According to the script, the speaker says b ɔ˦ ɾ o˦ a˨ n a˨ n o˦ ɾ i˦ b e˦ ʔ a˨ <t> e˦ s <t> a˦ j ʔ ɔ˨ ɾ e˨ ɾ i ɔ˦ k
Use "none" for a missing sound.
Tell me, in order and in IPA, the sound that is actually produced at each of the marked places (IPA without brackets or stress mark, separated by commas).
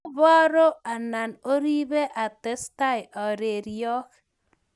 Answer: t, t